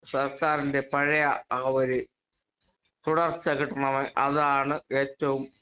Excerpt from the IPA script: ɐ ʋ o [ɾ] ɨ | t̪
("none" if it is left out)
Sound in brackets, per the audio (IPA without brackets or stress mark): ɾ